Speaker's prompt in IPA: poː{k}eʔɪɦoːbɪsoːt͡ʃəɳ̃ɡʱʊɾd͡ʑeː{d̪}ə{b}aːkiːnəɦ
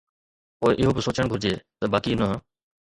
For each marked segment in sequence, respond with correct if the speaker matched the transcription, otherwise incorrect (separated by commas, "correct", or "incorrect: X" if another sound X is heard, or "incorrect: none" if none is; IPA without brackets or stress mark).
incorrect: none, incorrect: t̪, correct